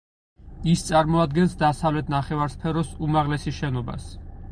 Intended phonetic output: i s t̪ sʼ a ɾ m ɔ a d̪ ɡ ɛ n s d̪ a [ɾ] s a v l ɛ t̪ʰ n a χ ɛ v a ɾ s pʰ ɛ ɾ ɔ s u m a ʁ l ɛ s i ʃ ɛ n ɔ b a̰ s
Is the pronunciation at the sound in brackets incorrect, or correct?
incorrect